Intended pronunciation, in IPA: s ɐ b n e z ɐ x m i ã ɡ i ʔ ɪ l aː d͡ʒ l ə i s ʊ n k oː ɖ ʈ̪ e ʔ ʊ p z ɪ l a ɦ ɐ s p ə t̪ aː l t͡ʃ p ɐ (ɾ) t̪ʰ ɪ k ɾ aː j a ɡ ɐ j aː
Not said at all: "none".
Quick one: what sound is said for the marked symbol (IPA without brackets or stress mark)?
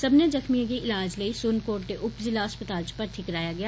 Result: ɾ